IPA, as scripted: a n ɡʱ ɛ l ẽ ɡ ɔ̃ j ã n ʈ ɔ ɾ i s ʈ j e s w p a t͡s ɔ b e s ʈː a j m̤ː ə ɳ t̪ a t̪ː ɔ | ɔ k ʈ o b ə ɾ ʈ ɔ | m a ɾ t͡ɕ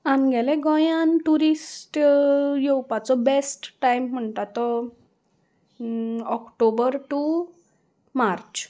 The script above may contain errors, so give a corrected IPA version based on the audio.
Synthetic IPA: a n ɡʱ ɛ l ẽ ɡ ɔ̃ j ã n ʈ u ɾ i s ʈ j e w p a t͡s ɔ b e s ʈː a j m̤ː ə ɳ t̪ a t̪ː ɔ | ɔ k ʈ o b ə ɾ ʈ u | m a ɾ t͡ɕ